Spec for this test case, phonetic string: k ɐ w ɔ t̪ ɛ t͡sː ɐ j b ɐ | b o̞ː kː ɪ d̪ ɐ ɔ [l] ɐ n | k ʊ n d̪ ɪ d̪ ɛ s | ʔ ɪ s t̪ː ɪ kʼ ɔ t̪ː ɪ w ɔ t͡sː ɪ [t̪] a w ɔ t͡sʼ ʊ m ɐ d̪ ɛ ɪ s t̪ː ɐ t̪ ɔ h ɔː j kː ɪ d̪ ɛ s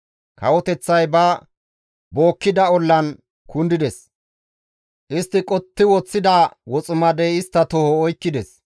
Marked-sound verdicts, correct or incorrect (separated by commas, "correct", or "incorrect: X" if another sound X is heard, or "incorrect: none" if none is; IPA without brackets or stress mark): incorrect: lː, incorrect: d̪